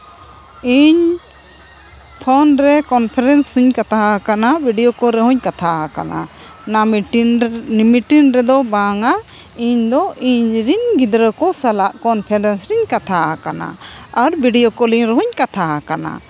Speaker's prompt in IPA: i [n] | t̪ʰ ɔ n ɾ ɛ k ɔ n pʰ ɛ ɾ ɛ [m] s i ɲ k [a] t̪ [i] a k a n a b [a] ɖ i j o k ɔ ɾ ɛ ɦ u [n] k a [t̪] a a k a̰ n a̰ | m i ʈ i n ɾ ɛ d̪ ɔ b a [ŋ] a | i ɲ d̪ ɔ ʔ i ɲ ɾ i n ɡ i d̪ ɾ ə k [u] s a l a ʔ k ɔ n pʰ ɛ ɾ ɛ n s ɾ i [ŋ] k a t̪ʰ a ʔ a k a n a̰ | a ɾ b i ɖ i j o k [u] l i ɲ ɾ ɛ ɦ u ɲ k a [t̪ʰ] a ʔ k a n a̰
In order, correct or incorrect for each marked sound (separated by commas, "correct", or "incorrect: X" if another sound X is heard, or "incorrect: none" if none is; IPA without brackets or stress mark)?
incorrect: ɲ, incorrect: n, correct, incorrect: a, incorrect: i, incorrect: ɲ, incorrect: t̪ʰ, correct, incorrect: ɔ, incorrect: ɲ, incorrect: ɔ, correct